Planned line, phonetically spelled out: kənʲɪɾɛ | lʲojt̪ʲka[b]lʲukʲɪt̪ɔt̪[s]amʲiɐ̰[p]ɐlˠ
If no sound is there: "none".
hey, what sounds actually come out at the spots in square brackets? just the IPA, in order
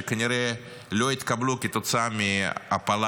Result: b, s, p

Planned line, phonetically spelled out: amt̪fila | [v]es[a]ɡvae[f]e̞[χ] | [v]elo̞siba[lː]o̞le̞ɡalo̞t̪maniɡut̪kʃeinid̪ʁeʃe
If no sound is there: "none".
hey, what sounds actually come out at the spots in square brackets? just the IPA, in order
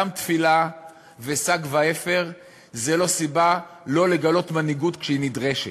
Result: v, a, f, ʁ, z, l

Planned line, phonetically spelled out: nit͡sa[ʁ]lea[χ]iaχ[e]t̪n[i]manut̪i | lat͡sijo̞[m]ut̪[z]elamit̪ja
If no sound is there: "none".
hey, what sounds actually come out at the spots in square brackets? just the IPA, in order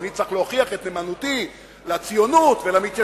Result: χ, χ, e, e, n, v

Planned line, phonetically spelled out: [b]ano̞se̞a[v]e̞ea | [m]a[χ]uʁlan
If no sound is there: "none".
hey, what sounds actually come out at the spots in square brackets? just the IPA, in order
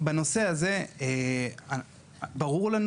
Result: b, z, b, ʁ

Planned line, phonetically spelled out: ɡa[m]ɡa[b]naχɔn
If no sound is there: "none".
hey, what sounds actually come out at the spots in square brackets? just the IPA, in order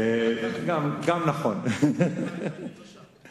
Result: m, m

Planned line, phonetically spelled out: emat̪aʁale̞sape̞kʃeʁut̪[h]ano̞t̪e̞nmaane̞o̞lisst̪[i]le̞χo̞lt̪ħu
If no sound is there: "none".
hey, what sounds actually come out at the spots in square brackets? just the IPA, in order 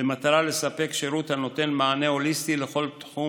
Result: h, i

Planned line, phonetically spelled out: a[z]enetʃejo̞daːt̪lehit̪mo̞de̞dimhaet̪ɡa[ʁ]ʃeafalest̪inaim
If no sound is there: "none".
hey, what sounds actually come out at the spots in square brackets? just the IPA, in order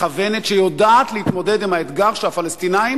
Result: v, ʁ

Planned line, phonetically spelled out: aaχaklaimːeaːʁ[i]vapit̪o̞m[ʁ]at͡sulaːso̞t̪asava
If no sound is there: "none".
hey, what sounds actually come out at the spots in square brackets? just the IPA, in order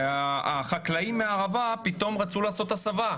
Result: a, ʁ

